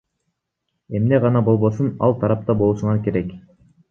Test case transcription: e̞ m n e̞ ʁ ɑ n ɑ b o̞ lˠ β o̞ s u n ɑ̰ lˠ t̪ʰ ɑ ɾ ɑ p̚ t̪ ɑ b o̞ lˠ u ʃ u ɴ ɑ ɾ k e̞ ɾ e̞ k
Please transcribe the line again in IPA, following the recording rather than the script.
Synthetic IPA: e̞ m n e̞ ʁ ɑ n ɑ b o̞ lˠ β o̞ s u n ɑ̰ lˠ t̪ʰ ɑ ɾ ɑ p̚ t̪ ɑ b o̞ lˠ u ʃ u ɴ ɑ ɾ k e̞ ɾ e̞ k